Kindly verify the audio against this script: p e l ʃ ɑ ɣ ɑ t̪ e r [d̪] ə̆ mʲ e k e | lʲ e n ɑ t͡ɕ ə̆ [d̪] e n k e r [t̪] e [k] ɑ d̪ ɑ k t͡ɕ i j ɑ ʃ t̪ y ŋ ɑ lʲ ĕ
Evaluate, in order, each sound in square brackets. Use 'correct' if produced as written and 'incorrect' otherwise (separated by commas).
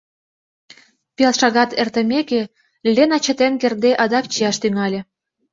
incorrect, incorrect, incorrect, incorrect